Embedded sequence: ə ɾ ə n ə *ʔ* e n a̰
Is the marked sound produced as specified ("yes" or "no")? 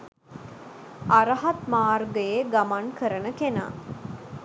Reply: no